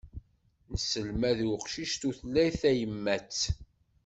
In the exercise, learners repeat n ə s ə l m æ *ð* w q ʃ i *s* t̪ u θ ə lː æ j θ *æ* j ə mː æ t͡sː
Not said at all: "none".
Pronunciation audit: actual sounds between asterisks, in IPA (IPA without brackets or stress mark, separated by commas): ð, ʃ, æ